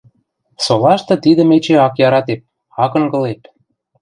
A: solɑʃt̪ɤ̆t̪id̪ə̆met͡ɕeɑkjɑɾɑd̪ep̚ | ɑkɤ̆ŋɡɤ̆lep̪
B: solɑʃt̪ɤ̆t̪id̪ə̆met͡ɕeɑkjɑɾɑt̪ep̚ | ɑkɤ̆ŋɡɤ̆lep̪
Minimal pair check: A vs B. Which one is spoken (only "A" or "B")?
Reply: B